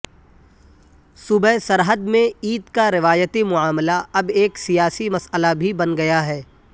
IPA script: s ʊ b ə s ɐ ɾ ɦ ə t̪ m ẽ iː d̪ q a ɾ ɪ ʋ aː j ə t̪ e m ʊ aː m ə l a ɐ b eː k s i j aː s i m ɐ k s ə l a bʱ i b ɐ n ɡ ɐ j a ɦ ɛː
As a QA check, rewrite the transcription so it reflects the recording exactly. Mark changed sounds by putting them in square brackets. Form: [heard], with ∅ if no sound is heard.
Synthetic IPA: s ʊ b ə s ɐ ɾ ɦ ə [d̪] m ẽ iː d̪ [k] a ɾ ɪ ʋ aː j ə t̪ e m ʊ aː m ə l a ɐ b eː k s i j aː s i m ɐ [∅] s ə l a bʱ i b ɐ n ɡ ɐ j a ɦ ɛː